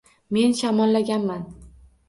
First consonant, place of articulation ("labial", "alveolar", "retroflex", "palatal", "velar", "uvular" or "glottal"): labial